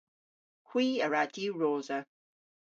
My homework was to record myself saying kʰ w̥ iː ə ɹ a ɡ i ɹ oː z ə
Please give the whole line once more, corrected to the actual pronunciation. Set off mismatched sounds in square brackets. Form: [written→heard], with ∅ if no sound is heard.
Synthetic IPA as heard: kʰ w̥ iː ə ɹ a [ɡ→d] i ɹ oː z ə